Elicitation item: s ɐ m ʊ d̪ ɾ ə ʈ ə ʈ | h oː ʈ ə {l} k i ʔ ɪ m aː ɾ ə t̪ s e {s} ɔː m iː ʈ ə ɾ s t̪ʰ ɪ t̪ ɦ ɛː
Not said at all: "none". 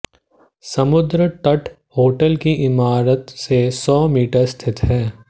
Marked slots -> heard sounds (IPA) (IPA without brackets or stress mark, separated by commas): l, s